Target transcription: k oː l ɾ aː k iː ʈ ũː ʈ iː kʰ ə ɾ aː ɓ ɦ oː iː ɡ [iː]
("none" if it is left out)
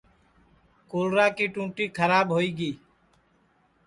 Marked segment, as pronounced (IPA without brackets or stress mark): iː